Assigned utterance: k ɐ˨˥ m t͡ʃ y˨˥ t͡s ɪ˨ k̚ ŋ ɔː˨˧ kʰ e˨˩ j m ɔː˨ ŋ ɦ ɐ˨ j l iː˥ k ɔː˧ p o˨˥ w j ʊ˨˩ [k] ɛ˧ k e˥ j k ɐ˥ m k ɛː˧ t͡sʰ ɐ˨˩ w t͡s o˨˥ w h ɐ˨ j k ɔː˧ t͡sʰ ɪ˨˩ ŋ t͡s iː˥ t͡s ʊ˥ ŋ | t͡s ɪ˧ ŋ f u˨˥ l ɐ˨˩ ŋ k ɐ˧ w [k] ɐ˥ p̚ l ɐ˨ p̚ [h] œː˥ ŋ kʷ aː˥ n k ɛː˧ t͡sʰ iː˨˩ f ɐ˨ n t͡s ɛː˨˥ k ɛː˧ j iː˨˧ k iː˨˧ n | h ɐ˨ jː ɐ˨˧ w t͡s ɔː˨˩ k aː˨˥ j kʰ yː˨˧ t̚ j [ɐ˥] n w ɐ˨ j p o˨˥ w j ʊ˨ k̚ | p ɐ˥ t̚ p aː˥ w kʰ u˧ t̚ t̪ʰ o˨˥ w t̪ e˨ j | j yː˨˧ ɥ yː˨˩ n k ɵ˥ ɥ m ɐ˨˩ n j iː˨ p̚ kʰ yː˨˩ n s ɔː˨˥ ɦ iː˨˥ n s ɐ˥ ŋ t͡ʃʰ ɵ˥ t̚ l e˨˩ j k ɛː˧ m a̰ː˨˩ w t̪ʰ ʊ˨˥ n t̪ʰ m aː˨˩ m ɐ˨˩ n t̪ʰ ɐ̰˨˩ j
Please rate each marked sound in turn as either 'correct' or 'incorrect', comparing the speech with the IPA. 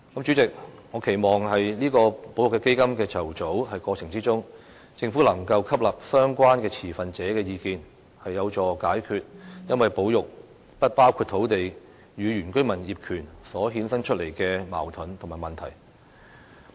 correct, incorrect: kʰ, incorrect: s, correct

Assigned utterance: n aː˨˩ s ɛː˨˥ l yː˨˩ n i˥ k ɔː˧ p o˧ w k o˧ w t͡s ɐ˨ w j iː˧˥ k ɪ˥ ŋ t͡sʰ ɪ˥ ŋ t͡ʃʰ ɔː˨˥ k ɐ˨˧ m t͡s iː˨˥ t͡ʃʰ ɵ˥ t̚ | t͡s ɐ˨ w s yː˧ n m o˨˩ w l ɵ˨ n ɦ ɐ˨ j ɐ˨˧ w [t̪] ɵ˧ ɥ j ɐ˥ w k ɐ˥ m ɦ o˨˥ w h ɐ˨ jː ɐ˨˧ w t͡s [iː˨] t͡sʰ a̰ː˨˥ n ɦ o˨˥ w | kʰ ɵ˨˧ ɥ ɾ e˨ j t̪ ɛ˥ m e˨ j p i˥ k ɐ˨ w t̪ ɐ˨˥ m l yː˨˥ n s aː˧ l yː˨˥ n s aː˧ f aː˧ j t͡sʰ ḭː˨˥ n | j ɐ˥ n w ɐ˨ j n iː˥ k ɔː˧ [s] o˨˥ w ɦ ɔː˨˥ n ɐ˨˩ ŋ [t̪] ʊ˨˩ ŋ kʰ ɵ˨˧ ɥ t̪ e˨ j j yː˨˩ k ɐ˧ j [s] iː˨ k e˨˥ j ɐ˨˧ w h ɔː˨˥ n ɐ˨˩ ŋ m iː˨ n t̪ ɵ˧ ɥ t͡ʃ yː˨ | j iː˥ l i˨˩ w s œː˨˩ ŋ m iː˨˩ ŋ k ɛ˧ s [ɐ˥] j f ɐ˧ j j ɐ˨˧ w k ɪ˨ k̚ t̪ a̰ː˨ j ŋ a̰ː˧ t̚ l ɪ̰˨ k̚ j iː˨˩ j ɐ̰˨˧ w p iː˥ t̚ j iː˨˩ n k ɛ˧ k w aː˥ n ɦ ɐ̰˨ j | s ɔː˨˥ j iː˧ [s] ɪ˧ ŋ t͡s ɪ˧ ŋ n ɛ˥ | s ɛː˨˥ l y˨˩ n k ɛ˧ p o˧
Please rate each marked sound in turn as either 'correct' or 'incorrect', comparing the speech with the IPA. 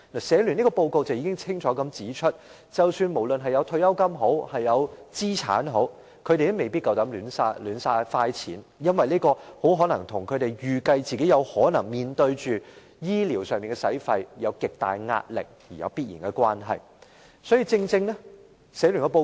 incorrect: t̪ʰ, incorrect: iː˥, incorrect: h, incorrect: t̪ʰ, incorrect: t͡s, incorrect: ɐ˨˥, incorrect: t͡s

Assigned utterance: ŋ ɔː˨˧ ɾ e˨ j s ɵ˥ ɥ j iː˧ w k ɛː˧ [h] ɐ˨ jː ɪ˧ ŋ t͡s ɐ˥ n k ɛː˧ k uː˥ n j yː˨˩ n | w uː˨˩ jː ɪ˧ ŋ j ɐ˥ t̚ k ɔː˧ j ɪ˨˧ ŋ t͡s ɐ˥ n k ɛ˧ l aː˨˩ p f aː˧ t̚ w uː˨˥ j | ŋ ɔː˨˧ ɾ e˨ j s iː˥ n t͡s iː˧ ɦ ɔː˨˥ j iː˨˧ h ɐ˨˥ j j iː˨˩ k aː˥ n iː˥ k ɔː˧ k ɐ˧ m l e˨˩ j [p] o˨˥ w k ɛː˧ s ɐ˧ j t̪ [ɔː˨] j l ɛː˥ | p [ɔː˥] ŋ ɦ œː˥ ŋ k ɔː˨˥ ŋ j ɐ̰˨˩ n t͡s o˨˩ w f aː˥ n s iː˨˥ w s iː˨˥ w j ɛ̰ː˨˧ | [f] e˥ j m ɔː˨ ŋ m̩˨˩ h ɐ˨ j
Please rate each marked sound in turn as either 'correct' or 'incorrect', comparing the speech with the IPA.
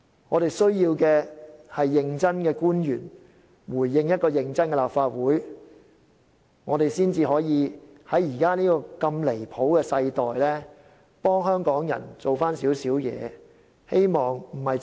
correct, incorrect: pʰ, correct, correct, incorrect: h

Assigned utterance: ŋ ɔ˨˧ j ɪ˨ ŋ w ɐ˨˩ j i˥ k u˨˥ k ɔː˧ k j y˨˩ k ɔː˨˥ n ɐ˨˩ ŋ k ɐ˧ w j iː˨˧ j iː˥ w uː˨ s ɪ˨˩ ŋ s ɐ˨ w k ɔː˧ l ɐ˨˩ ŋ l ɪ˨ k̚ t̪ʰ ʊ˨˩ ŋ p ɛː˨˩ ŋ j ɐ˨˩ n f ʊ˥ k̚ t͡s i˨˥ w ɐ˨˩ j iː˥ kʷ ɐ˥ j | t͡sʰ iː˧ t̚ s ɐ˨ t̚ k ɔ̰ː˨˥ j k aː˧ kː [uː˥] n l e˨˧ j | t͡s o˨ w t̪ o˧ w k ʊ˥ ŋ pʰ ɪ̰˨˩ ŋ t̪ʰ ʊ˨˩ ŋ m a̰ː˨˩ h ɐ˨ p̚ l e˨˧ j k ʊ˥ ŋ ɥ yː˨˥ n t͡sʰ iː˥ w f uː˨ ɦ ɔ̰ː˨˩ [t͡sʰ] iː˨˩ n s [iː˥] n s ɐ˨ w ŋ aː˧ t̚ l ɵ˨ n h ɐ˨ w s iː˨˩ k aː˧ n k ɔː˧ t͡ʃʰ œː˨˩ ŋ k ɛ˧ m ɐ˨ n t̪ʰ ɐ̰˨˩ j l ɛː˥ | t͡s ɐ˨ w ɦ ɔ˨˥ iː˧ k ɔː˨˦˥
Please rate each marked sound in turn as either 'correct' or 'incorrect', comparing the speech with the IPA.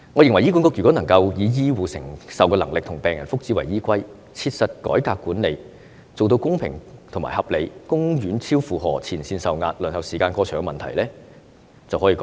incorrect: uː˨˥, correct, incorrect: iː˧

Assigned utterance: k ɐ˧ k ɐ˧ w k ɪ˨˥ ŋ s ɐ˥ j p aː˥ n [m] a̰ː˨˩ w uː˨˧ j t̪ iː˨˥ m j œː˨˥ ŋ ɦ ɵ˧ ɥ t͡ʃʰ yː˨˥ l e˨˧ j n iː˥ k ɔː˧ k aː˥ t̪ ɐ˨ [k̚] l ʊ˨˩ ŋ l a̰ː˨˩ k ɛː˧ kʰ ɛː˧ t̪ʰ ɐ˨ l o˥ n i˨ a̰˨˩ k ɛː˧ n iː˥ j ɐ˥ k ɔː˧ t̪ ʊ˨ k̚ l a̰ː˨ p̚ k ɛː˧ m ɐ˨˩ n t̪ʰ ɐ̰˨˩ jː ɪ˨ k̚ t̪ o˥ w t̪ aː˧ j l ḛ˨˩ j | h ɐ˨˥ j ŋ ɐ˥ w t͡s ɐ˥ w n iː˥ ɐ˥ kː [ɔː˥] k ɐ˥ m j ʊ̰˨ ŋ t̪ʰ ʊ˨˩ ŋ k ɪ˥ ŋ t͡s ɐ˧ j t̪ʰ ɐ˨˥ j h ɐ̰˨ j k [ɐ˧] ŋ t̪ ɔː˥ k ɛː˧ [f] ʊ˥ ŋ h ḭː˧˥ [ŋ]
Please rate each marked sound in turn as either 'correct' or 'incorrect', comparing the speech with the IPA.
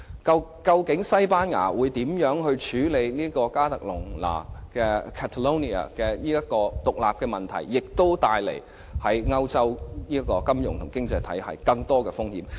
incorrect: ŋ, correct, incorrect: ɔː˧, correct, correct, incorrect: m

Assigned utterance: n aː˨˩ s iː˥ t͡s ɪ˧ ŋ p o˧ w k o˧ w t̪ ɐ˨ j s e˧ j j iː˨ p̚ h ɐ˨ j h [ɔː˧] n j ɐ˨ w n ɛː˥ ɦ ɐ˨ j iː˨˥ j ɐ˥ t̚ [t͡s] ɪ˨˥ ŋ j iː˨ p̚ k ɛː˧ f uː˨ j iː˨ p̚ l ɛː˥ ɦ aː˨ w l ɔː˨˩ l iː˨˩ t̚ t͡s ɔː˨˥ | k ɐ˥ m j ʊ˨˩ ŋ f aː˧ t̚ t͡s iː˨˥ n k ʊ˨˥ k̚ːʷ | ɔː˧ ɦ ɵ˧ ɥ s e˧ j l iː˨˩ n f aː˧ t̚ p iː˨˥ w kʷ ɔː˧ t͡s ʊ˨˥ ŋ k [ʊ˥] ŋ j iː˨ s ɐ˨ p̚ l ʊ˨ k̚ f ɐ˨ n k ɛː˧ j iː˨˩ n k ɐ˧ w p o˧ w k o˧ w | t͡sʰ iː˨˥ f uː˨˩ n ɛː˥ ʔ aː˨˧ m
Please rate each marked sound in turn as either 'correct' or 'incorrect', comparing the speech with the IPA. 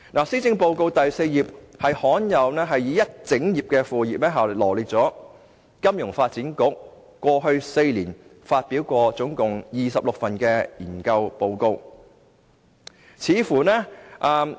incorrect: ɔː˨˥, correct, incorrect: ʊ˨˩

